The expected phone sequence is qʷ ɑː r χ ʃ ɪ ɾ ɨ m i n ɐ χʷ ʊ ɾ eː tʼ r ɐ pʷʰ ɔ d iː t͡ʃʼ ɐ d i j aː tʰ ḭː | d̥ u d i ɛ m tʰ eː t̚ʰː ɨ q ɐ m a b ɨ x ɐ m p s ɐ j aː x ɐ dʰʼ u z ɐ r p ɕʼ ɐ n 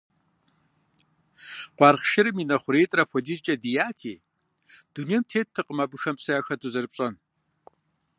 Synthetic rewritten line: qʷ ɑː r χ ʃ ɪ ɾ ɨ m i n ɐ χʷ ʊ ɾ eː tʼ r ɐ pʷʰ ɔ d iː t͡ʃʼ ɐ d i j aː tʰ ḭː | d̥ u n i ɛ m tʰ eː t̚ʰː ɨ q ə m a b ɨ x ɐ m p s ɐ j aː x ɐ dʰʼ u z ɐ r p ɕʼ ɐ n